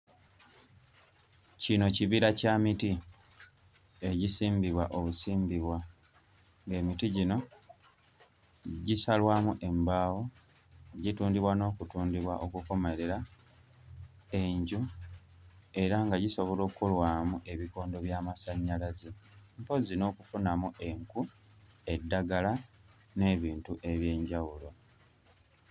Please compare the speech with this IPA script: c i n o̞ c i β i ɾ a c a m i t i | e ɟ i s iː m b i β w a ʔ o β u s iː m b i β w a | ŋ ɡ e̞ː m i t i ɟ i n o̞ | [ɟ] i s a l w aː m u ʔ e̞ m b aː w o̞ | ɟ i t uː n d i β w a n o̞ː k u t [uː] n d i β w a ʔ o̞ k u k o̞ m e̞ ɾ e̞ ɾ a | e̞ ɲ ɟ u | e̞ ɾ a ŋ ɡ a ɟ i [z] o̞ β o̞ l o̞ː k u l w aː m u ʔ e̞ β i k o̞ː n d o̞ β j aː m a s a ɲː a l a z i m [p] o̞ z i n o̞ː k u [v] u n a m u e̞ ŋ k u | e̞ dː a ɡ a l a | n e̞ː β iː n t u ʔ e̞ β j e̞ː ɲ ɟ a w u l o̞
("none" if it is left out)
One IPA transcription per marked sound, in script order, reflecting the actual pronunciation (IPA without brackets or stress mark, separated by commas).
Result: ɟ, uː, s, p, f